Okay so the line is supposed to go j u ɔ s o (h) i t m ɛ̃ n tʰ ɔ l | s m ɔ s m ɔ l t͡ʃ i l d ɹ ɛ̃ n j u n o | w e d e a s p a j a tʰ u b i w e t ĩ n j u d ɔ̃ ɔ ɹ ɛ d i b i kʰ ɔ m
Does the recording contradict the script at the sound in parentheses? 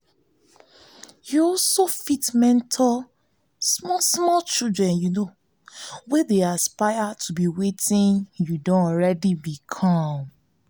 yes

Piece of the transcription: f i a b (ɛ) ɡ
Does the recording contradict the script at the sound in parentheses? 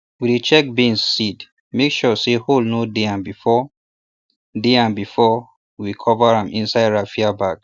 yes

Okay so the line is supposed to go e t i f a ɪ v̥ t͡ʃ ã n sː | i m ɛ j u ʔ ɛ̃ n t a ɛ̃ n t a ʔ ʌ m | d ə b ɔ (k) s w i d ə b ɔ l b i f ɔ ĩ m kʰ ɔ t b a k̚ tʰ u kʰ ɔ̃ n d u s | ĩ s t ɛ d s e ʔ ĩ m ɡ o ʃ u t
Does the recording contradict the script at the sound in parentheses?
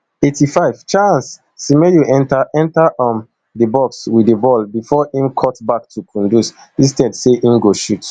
no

